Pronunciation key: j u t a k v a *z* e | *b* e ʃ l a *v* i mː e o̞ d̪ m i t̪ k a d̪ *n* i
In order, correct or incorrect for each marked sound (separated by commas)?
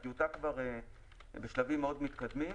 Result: incorrect, correct, correct, incorrect